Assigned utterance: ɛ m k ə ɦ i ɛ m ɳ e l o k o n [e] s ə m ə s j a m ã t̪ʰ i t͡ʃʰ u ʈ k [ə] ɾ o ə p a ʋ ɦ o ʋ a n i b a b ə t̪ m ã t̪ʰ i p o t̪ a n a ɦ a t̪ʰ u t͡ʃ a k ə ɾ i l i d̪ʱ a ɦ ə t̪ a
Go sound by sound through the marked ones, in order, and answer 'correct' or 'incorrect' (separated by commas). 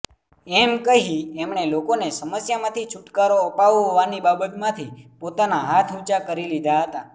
correct, incorrect